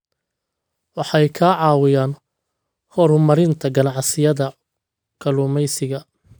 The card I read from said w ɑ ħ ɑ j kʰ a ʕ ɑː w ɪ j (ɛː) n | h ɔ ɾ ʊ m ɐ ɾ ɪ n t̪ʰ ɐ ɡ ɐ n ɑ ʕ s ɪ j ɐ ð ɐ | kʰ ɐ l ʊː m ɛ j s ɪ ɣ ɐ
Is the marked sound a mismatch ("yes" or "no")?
yes